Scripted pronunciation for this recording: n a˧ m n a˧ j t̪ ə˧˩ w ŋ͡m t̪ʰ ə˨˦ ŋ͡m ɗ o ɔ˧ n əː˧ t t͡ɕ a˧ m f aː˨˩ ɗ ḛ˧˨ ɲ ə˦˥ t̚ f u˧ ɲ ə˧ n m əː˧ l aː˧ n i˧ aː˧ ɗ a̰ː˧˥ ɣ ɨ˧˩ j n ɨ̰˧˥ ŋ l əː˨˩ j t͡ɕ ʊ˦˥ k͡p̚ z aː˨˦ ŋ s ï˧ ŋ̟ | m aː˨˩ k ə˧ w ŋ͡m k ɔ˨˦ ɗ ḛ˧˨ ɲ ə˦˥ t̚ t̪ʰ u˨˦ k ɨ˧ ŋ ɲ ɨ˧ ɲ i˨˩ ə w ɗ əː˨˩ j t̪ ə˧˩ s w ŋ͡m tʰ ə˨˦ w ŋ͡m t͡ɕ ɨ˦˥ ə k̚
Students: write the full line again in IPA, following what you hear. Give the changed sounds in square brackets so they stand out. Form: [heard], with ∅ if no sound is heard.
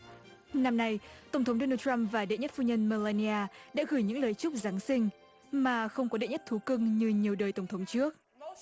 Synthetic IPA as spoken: n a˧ m n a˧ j t̪ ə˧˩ w ŋ͡m t̪ʰ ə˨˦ ŋ͡m ɗ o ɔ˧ n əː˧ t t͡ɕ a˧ m [v] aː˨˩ ɗ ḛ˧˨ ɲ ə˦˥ t̚ f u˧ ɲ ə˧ n m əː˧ l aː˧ n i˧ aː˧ ɗ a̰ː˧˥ ɣ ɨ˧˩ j [ɲ] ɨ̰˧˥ ŋ l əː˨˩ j t͡ɕ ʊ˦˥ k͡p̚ z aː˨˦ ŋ s ï˧ ŋ̟ | m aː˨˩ [x] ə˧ w ŋ͡m k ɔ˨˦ ɗ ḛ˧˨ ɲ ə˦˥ t̚ t̪ʰ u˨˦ k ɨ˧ ŋ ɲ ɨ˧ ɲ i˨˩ ə w ɗ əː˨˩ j t̪ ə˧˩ [∅] w ŋ͡m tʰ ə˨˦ w ŋ͡m t͡ɕ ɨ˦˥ ə k̚